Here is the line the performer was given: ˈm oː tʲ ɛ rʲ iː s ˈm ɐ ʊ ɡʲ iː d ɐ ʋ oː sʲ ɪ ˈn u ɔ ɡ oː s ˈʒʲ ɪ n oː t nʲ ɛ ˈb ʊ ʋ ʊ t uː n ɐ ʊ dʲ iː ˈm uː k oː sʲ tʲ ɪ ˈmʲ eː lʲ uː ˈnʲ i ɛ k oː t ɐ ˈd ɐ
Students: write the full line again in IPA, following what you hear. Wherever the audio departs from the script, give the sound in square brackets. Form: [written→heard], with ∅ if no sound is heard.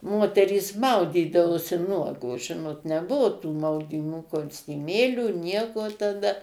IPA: ˈm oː tʲ ɛ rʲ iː s ˈm ɐ ʊ [ɡʲ→dʲ] iː d ɐ ʋ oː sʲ ɪ ˈn u ɔ ɡ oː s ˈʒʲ ɪ n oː t nʲ ɛ ˈb ʊ ʋ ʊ t uː [n→m] ɐ ʊ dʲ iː ˈm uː k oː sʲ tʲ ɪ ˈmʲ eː lʲ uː ˈnʲ i ɛ k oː t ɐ ˈd ɐ